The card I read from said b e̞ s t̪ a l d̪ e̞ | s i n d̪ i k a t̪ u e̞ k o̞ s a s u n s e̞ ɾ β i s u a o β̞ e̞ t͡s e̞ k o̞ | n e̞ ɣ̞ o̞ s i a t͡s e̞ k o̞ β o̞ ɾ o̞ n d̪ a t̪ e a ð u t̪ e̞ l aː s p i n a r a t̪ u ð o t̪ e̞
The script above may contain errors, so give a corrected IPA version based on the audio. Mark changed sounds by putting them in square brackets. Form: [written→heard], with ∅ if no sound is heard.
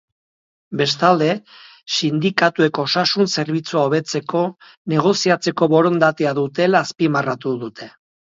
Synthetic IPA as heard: b e̞ s t̪ a l d̪ e̞ | s i n d̪ i k a t̪ u e̞ k o̞ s a s u n s e̞ ɾ β i [s→t͡s] u a o β̞ e̞ t͡s e̞ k o̞ | n e̞ ɣ̞ o̞ s i a t͡s e̞ k o̞ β o̞ ɾ o̞ n d̪ a t̪ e a ð u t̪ e̞ l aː s p i [n→m] a r a t̪ u ð [o→u] t̪ e̞

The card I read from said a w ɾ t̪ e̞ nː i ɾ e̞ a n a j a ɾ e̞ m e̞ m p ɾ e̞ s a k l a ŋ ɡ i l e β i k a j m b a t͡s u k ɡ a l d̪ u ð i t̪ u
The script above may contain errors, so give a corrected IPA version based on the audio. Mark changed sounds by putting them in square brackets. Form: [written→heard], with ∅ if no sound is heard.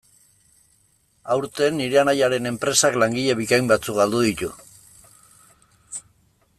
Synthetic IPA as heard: a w ɾ t̪ e̞ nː i ɾ e̞ a n a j a ɾ e̞ [m→n] e̞ m p ɾ e̞ s a k l a ŋ ɡ i [l→ʎ] e β i k a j m b a t͡s u k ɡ a l d̪ u ð i t̪ u

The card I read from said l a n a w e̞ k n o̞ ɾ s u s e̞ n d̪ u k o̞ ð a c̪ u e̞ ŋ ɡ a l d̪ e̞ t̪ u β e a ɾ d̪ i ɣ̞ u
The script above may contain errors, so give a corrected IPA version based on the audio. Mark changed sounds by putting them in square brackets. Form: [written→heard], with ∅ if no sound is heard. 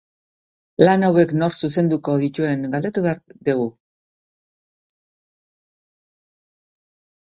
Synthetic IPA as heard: l a n a w e̞ k n o̞ ɾ s u s e̞ n d̪ u k o̞ ð [a→i] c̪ u e̞ ŋ ɡ a l d̪ e̞ t̪ u β e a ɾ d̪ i ɣ̞ u

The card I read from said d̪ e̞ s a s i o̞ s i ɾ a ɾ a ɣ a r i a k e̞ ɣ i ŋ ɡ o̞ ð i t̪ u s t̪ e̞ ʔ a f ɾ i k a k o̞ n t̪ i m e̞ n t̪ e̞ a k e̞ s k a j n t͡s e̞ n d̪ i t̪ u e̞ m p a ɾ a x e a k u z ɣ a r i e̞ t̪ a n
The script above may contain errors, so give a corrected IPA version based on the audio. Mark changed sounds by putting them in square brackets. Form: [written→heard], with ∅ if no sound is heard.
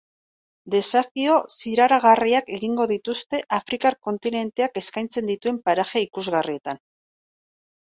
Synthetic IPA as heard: d̪ e̞ s a [s→f] i o̞ s i ɾ a ɾ a ɣ a r i a k e̞ ɣ i ŋ ɡ o̞ ð i t̪ u s t̪ e̞ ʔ a f ɾ i k a k o̞ n t̪ i [m→n] e̞ n t̪ e̞ a k e̞ s k a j n t͡s e̞ n d̪ i t̪ u e̞ m p a ɾ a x e [a→i] k u z ɣ a r i e̞ t̪ a n

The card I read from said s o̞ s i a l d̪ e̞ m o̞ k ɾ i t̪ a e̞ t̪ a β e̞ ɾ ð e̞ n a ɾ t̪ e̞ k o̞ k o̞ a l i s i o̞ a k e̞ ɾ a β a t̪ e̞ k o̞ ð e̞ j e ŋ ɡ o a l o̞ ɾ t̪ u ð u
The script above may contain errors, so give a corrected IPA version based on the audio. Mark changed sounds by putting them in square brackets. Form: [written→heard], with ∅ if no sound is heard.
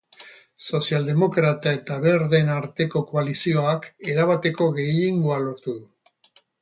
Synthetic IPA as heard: s o̞ s i a l d̪ e̞ m o̞ k ɾ [i→a] t̪ a e̞ t̪ a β e̞ ɾ ð e̞ n a ɾ t̪ e̞ k o̞ k o̞ a l i s i o̞ a k e̞ ɾ a β a t̪ e̞ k o̞ [ð→ɣ] e̞ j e ŋ ɡ o a l o̞ ɾ t̪ u ð u

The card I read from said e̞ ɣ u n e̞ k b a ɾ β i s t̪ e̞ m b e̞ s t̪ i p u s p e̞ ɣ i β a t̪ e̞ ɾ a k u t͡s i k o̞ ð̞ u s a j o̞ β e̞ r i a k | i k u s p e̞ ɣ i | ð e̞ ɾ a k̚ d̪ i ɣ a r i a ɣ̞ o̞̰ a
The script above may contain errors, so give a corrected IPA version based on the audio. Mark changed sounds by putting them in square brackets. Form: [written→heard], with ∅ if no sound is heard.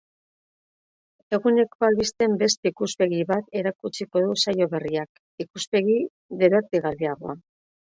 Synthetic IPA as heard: e̞ ɣ u n e̞ k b a [ɾ→l] β i s t̪ e̞ m b e̞ s t̪ i [p→k] u s p e̞ ɣ i β a t̪ e̞ ɾ a k u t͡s i k o̞ ð̞ u s a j o̞ β e̞ r i a k | i k u s p e̞ ɣ i | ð e̞ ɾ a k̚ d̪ i ɣ a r i a ɣ̞ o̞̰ a

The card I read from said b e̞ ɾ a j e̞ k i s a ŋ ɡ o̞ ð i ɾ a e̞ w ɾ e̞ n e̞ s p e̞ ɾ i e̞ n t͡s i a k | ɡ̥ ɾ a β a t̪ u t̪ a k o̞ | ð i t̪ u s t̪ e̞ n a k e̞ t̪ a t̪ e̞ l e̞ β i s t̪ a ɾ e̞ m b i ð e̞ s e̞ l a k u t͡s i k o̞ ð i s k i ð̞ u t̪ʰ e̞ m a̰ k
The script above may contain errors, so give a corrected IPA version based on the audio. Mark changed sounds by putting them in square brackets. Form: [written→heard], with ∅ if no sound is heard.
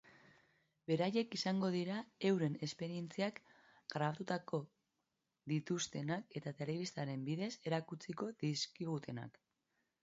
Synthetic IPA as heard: b e̞ ɾ a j e̞ k i s a ŋ ɡ o̞ ð i ɾ a e̞ w ɾ e̞ n e̞ s p e̞ ɾ i e̞ n t͡s i a k | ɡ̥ ɾ a β a t̪ u t̪ a k o̞ | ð i t̪ u s t̪ e̞ n a k e̞ t̪ a t̪ e̞ l e̞ β i s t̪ a ɾ e̞ m b i ð e̞ s e̞ [l→ɾ] a k u t͡s i k o̞ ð i s k i [ð̞→ɣ̞] u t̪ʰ e̞ [m→n] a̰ k

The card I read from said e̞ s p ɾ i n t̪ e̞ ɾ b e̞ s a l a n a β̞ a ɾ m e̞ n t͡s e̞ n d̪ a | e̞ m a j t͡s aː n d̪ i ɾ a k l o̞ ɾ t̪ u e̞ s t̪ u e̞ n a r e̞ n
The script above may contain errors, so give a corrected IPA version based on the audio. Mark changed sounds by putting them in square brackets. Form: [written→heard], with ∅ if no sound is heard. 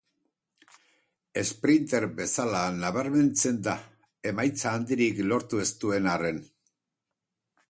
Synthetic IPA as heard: e̞ s p ɾ i n t̪ e̞ ɾ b e̞ s a l a n a β̞ a ɾ m e̞ n t͡s e̞ n d̪ a | e̞ m a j t͡s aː n d̪ i ɾ [a→i] k l o̞ ɾ t̪ u e̞ s t̪ u e̞ n a r e̞ n

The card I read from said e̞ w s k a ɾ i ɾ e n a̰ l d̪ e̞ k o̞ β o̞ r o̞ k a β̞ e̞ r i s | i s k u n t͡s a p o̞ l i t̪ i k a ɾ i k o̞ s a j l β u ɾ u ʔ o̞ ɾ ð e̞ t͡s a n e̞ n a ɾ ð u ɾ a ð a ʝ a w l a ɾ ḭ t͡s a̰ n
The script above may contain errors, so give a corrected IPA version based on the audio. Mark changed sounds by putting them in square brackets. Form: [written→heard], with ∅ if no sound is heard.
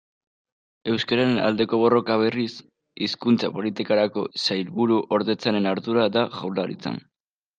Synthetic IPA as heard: e̞ w s k a ɾ [i→a] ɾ e n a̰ l d̪ e̞ k o̞ β o̞ r o̞ k a β̞ e̞ r i s | i s k u n t͡s a p o̞ l i t̪ i k a ɾ [i→a] k o̞ s a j l β u ɾ u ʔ o̞ ɾ ð e̞ t͡s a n e̞ n a ɾ ð u ɾ a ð a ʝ a w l a ɾ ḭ t͡s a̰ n

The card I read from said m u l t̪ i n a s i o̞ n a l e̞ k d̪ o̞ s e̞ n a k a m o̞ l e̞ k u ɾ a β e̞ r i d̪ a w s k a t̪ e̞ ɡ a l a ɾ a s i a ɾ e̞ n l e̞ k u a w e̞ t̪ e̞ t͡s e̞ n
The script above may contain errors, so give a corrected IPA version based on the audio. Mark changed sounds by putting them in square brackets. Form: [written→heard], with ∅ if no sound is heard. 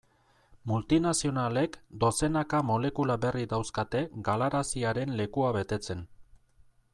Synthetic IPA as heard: m u l t̪ i n a s i o̞ n a l e̞ k d̪ o̞ s e̞ n a k a m o̞ l e̞ k u [ɾ→l] a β e̞ r i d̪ a w s k a t̪ e̞ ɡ a l a ɾ a s i a ɾ e̞ n l e̞ k u a [w→β] e̞ t̪ e̞ t͡s e̞ n

